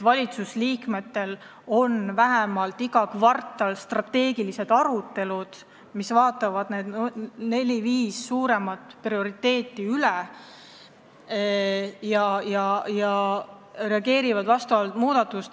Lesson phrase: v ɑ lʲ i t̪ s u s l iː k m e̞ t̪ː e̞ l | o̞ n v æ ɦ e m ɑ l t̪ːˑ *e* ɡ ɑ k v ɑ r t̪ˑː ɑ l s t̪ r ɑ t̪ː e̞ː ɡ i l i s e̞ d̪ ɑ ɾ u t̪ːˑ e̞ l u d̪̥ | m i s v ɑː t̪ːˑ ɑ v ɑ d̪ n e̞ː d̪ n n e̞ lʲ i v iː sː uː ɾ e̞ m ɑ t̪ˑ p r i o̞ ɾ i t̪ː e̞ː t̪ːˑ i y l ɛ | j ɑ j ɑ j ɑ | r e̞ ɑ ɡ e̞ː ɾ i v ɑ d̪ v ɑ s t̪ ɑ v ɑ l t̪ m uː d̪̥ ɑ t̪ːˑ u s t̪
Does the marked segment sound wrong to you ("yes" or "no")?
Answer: yes